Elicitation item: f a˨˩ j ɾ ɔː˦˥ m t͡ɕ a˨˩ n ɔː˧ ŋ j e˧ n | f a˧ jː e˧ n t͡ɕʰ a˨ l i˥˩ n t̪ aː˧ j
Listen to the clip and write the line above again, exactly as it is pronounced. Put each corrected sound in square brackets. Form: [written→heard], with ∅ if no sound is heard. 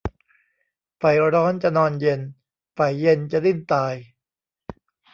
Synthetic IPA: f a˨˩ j ɾ ɔː˦˥ [m→n] t͡ɕ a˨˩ n ɔː˧ [ŋ→n] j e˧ n | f [a˧→a˨˩] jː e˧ n [t͡ɕʰ→t͡ɕ] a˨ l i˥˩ n t̪ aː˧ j